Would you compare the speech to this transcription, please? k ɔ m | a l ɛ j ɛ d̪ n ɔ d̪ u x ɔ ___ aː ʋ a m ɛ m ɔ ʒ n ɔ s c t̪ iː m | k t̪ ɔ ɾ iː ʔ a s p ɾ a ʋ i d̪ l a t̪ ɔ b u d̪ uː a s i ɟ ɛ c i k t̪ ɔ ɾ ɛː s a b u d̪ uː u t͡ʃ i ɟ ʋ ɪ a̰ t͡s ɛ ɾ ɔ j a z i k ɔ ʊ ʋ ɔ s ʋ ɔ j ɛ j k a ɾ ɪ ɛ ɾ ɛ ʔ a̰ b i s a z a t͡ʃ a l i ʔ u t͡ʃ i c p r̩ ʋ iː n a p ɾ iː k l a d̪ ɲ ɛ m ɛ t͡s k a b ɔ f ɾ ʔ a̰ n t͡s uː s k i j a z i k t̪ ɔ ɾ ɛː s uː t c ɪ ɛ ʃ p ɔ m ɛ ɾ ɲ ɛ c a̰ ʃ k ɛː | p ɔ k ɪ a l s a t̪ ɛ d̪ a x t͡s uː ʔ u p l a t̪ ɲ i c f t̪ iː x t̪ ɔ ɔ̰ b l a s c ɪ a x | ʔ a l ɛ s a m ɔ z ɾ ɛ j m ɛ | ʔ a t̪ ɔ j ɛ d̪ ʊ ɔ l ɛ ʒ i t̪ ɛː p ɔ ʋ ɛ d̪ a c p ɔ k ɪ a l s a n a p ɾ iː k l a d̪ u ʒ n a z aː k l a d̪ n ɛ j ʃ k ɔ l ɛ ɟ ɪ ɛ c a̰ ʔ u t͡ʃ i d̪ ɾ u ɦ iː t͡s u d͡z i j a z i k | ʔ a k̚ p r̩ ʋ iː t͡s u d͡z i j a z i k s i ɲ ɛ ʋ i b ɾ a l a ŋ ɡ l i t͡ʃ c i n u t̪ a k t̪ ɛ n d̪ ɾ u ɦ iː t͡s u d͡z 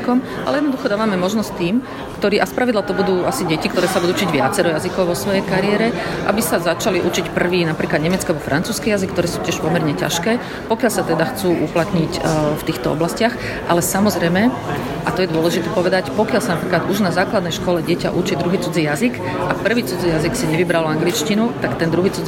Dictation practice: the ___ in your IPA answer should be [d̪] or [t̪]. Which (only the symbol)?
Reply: d̪